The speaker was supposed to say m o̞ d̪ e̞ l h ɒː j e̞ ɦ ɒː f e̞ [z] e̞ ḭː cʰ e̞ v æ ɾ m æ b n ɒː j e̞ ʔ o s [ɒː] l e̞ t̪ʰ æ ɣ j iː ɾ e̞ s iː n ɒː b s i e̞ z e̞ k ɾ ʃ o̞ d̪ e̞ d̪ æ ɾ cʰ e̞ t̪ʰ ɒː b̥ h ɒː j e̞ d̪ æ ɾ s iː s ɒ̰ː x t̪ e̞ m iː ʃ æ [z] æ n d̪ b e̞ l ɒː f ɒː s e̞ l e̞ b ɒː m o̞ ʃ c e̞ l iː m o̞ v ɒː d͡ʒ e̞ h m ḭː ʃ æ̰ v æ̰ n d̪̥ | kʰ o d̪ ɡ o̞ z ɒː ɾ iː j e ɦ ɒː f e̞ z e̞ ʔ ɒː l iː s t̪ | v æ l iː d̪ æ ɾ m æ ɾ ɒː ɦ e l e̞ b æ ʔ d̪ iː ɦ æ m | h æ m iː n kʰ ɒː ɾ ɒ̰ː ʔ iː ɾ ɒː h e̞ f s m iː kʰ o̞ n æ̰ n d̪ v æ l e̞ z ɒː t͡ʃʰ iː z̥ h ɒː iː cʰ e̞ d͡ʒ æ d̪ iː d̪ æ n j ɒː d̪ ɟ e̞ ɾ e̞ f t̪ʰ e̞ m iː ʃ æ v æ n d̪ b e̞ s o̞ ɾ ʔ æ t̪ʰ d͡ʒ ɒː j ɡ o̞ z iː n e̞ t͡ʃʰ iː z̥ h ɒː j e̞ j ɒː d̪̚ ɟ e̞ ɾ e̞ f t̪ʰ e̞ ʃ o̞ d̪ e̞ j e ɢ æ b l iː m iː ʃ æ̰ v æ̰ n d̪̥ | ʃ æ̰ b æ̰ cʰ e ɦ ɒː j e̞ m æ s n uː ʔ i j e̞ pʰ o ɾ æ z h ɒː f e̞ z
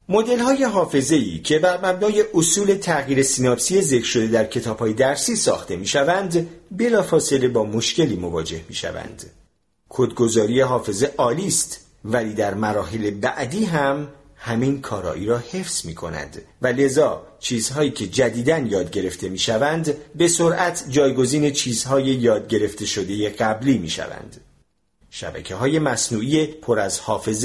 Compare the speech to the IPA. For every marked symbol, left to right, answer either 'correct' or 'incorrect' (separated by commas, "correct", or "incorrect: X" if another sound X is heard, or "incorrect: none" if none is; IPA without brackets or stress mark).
correct, incorrect: uː, incorrect: v